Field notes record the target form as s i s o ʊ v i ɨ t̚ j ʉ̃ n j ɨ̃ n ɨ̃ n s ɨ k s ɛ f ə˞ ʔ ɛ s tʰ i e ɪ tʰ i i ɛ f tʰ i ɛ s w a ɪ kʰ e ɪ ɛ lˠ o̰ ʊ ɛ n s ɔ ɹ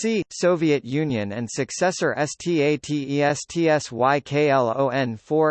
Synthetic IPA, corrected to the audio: s i s o ʊ v i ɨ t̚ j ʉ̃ n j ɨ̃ n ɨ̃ n s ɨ k s ɛ s ə˞ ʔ ɛ s tʰ i e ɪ tʰ i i ɛ s tʰ i ɛ s w a ɪ kʰ e ɪ ɛ lˠ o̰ ʊ ɛ̃ n f ɔ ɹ